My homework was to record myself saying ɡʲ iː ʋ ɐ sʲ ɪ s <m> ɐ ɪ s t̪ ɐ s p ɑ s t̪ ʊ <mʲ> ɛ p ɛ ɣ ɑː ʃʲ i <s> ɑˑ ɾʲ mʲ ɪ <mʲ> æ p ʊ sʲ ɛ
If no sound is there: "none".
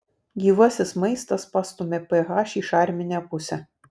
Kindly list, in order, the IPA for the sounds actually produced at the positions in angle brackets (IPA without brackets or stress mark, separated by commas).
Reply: m, mʲ, ʃ, nʲ